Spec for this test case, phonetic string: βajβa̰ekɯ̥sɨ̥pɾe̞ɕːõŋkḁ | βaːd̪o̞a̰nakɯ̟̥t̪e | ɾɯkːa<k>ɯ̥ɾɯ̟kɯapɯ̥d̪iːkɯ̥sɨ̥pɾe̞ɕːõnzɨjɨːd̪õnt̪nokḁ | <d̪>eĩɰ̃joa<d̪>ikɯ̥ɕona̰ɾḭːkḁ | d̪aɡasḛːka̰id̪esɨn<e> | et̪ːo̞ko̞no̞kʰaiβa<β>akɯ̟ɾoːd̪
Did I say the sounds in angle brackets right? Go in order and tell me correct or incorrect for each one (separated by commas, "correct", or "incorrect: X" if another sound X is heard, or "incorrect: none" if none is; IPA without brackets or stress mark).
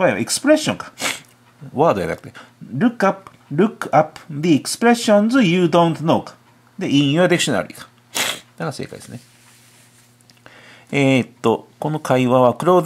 incorrect: p, correct, correct, correct, correct